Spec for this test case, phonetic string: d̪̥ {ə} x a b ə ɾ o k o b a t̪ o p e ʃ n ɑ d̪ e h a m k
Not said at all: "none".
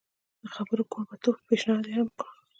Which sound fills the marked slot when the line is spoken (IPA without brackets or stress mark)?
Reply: ə